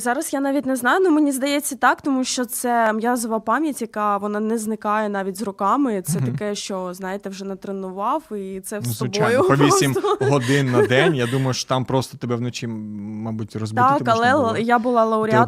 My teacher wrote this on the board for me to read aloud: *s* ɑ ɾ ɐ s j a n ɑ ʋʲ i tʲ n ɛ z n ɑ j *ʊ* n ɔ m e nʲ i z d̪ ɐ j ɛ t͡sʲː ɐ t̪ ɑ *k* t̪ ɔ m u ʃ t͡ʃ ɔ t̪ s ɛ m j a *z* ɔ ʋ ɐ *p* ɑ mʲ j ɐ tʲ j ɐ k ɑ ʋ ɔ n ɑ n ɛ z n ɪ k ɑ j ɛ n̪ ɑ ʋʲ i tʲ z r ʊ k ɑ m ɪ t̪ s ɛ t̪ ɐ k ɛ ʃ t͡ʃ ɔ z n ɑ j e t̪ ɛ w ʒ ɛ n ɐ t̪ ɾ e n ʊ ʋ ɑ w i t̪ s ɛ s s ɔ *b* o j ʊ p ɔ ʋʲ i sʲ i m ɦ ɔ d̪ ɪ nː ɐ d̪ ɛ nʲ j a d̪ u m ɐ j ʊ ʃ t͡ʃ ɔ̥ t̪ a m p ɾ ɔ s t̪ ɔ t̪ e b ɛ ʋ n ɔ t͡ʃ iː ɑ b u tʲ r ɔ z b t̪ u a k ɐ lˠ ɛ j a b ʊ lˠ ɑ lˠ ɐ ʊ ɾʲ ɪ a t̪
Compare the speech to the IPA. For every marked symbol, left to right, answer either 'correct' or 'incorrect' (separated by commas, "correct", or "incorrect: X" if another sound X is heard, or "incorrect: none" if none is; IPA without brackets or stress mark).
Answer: incorrect: z, correct, correct, correct, correct, correct